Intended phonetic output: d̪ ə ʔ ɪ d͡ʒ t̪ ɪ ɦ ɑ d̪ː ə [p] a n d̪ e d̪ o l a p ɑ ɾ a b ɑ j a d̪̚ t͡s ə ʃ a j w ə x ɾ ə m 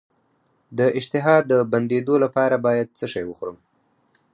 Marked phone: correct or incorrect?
incorrect